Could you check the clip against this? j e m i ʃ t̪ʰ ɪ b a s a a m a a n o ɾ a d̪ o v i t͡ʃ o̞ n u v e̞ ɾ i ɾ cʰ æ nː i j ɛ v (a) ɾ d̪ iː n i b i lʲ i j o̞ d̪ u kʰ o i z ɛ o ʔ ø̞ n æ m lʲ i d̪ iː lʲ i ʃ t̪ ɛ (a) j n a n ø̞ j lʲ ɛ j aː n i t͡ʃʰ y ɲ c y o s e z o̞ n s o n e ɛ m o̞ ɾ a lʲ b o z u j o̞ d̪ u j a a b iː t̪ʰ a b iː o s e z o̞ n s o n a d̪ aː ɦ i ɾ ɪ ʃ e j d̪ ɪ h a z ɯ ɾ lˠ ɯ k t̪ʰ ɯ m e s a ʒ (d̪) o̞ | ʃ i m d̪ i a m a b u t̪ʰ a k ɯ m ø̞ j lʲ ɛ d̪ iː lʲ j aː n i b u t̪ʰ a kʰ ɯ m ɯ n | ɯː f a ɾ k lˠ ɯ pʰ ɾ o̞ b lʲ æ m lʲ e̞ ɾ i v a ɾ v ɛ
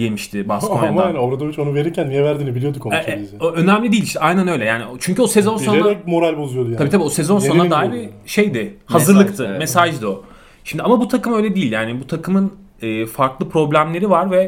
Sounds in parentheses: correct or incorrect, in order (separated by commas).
incorrect, correct, correct